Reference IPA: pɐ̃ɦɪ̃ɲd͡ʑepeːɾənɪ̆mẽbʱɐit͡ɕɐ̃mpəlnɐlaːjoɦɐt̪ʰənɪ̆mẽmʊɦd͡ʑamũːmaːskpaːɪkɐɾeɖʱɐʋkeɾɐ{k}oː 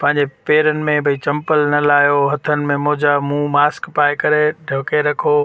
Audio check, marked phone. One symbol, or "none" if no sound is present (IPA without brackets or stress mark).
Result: kʰ